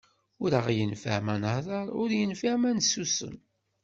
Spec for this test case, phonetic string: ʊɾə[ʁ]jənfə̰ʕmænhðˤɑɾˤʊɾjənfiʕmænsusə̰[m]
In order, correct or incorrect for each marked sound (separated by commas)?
correct, incorrect